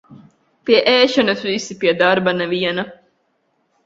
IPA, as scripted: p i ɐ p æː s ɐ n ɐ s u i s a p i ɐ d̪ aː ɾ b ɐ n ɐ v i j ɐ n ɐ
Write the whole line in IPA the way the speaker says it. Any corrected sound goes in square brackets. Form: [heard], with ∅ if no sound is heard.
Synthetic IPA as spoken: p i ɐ [ʔ] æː [ʃ] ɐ n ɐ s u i s [i] p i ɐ d̪ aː ɾ b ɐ n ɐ [ʋ] i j ɐ n ɐ